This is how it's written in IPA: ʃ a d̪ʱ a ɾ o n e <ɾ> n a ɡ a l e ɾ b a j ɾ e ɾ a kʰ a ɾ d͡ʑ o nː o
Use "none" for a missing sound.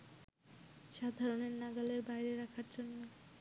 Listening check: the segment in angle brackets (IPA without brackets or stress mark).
ɾ